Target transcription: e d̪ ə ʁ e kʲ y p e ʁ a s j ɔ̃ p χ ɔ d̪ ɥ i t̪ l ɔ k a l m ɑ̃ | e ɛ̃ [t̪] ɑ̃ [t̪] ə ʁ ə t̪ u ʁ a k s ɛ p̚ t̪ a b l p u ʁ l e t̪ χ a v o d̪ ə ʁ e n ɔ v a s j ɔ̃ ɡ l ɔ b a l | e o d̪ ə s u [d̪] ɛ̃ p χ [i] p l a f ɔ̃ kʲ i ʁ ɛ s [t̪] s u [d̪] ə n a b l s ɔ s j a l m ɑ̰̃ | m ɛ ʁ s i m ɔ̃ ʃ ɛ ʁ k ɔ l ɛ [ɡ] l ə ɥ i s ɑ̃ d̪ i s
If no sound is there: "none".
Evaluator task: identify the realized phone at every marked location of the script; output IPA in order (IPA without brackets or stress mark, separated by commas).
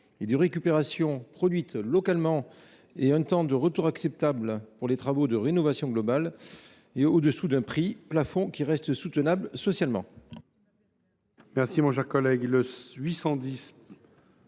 t̪, d̪, d̪, i, t̪, t̪, ɡ